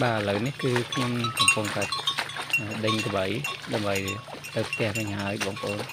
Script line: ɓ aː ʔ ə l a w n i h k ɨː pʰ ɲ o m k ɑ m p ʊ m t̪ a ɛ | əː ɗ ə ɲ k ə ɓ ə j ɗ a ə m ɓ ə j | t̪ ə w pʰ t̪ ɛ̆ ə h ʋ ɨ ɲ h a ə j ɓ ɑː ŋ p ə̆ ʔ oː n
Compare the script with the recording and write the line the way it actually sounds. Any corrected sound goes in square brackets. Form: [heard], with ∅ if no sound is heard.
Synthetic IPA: ɓ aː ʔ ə l [ə] w n i h k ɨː [kʰ] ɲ o m k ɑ m p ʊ [ŋ] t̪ a ɛ | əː ɗ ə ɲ k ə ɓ ə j ɗ a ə m ɓ ə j | t̪ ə w pʰ t̪ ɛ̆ ə h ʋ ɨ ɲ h a ə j ɓ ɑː ŋ p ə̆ ʔ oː n